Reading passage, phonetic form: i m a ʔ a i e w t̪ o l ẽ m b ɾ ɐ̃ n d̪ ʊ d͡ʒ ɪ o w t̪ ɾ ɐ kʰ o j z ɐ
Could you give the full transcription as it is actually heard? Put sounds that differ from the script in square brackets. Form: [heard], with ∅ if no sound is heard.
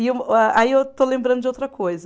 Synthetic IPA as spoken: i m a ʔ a i e w t̪ o l ẽ m b ɾ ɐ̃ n d̪ ʊ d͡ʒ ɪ o w t̪ ɾ ɐ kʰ o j z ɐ